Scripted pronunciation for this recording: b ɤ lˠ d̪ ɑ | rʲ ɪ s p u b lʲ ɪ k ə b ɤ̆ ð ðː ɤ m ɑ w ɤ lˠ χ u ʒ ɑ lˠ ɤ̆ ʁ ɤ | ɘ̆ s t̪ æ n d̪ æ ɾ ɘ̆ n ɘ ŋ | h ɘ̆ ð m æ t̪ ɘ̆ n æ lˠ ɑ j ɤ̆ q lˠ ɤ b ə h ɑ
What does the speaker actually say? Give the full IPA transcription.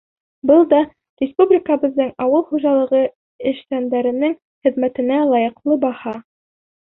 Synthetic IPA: b ɤ lˠ d̪ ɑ | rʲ ɪ s p u b lʲ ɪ k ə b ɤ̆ ð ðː ɤ ɴ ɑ w ɤ lˠ χ u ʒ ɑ lˠ ɤ̆ ʁ ɤ | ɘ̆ ʃ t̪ æ n d̪ æ ɾ ɘ̆ n ɘ ŋ | χ ɘ̆ ð m æ t̪ ɘ̆ n æ lˠ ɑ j ɤ̆ q lˠ ɤ b ɑ h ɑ